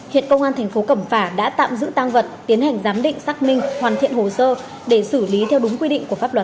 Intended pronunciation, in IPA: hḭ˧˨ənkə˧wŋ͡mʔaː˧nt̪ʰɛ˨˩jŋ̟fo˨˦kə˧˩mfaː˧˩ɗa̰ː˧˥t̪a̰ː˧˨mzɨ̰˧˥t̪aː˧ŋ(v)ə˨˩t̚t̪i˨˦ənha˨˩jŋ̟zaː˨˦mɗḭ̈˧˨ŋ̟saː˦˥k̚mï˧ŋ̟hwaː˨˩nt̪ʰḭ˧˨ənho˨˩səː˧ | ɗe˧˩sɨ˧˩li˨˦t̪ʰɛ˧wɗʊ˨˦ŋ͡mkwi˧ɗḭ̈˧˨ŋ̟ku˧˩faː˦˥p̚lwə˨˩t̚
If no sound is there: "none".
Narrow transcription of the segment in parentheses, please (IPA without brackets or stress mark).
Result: v